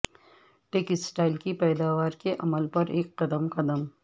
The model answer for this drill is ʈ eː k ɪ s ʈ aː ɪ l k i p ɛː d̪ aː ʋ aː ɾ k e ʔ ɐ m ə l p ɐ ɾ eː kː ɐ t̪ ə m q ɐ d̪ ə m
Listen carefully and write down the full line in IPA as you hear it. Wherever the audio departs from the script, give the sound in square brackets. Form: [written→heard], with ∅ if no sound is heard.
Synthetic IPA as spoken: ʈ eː k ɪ s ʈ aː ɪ l k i p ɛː d̪ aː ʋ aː ɾ k e ʔ ɐ m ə l p ɐ ɾ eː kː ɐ [t̪→d̪] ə m q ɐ d̪ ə m

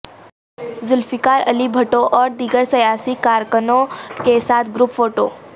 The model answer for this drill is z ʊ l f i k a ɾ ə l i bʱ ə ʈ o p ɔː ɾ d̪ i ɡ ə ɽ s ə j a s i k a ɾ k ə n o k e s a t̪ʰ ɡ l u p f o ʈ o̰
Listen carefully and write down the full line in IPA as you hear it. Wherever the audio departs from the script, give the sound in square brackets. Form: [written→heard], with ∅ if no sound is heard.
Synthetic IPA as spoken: z ʊ l f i k a ɾ ə l i bʱ ə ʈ o [p→ʔ] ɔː ɾ d̪ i ɡ ə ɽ s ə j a s i k a ɾ k ə n o k e s a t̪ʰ ɡ [l→ɾ] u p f o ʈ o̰

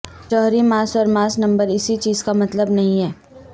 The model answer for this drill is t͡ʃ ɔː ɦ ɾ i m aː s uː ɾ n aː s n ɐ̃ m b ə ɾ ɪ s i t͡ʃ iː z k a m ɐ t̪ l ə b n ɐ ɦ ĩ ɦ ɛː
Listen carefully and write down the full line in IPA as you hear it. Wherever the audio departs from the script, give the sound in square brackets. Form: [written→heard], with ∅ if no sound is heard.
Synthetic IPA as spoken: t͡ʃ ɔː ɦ ɾ i m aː s [uː→ɔː] ɾ [n→m] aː s n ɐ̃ m b ə ɾ ɪ s i t͡ʃ iː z k a m ɐ t̪ l ə b n ɐ ɦ ĩ ɦ ɛː

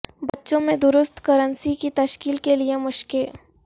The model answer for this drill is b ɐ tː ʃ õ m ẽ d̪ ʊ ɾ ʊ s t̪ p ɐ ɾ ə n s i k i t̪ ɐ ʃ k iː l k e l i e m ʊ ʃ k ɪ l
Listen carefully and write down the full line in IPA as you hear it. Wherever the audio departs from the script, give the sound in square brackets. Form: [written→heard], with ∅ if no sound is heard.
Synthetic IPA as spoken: b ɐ tː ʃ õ m ẽ d̪ ʊ ɾ ʊ s t̪ [p→k] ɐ ɾ ə n s i k i t̪ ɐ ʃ k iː l k e l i e m ʊ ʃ k ɪ l

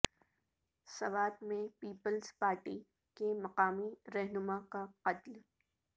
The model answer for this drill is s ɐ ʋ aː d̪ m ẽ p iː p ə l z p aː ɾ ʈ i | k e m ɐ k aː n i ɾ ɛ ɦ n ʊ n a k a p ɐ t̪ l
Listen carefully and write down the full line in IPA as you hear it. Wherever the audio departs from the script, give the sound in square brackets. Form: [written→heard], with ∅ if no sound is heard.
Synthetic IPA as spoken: s ɐ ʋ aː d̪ m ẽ p iː p ə l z p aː ɾ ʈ i | k e m ɐ [k→q] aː [n→m] i ɾ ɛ ɦ n ʊ [n→m] a k a [p→q] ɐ t̪ l

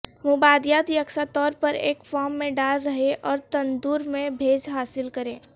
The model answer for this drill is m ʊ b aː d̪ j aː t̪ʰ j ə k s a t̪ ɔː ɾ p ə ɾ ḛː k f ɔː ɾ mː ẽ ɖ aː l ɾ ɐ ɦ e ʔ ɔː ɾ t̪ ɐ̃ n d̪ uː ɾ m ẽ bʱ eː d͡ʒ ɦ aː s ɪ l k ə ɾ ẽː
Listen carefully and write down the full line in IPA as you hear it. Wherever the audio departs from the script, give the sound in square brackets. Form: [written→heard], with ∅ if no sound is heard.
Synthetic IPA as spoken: m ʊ b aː d̪ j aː [t̪ʰ→t̪] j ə k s a t̪ ɔː ɾ p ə ɾ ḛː k f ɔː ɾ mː ẽ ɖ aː l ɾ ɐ ɦ e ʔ ɔː ɾ t̪ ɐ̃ n d̪ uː ɾ m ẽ bʱ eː d͡ʒ ɦ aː s ɪ l k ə ɾ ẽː

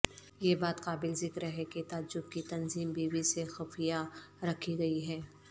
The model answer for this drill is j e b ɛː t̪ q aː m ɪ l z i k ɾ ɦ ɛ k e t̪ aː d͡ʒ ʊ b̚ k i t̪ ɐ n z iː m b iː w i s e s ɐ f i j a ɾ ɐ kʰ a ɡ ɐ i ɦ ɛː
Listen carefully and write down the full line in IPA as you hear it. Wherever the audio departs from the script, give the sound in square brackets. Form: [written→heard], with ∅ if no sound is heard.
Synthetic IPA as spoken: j e b [ɛː→aː] t̪ q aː [m→b] ɪ l z [i→ɪ] k ɾ ɦ ɛ k e t̪ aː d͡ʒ ʊ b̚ k i t̪ ɐ n z iː m b iː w i s e [s→x] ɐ f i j a ɾ ɐ kʰ [a→i] ɡ ɐ i ɦ ɛː

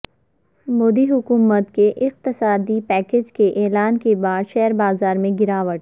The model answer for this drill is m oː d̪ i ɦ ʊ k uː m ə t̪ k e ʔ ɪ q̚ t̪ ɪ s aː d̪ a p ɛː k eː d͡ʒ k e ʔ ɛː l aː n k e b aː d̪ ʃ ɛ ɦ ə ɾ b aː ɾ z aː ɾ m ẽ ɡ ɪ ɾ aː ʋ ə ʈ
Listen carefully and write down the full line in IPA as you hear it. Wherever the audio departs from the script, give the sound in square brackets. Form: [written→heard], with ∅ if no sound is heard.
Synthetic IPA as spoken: m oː d̪ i ɦ ʊ k uː m ə t̪ k e ʔ ɪ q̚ t̪ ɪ s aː d̪ [a→i] p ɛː k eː d͡ʒ k e ʔ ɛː l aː n k e b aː d̪ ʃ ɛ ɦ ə ɾ b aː [ɾ→∅] z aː ɾ m ẽ ɡ ɪ ɾ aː ʋ ə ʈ

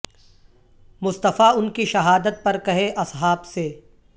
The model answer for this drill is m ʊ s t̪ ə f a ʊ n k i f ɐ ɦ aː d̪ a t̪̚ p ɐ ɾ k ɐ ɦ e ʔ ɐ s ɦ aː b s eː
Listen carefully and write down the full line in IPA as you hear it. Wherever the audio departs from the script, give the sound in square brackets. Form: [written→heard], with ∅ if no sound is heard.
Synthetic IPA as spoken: m ʊ s t̪ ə f a ʊ n k i [f→ʃ] ɐ ɦ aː d̪ [a→ə] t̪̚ p ɐ ɾ k ɐ ɦ e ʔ ɐ s ɦ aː b s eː

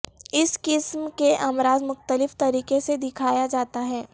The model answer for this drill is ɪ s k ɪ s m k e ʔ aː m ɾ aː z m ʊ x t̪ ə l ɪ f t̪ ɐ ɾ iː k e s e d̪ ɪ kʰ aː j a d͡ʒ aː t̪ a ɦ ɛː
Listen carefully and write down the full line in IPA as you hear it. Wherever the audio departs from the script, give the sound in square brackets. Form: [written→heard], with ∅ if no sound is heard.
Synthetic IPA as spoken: ɪ s k ɪ s m k e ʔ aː m ɾ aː z m ʊ x t̪ ə l ɪ f t̪ ɐ ɾ iː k e s e d̪ ɪ kʰ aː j a d͡ʒ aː t̪ a ɦ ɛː

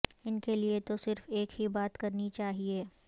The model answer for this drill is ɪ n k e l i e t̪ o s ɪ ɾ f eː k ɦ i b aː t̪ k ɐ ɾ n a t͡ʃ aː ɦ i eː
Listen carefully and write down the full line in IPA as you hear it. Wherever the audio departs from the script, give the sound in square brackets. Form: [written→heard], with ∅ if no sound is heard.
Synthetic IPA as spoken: ɪ n k e l i e t̪ o s ɪ ɾ f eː k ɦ i b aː t̪ k ɐ ɾ n [a→i] t͡ʃ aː ɦ i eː

